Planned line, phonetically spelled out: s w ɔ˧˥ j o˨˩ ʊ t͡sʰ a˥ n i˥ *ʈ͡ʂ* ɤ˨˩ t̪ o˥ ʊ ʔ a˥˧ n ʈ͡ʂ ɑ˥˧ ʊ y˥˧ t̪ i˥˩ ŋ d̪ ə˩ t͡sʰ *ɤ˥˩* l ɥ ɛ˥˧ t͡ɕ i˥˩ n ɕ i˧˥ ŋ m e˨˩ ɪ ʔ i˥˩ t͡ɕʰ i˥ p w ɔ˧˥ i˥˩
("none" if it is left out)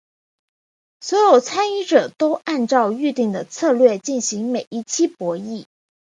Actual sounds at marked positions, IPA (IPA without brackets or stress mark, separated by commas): ʈ͡ʂ, ɤ˥˧